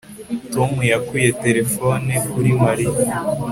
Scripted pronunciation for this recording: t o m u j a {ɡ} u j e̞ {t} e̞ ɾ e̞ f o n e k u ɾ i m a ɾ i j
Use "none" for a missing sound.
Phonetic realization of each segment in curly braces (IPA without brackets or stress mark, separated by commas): k, t